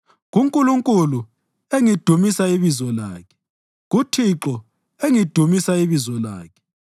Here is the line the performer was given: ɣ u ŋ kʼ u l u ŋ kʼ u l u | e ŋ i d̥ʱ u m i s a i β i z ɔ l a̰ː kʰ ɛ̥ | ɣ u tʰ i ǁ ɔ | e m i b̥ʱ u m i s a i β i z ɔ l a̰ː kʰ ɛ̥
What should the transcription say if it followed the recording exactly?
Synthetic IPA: ɣ u ŋ kʼ u l u ŋ kʼ u l u | e ŋ i d̥ʱ u m i s a i β i z ɔ l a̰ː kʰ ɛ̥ | ɣ u tʰ i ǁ ɔ | e ŋ i d̥ʱ u m i s a i β i z ɔ l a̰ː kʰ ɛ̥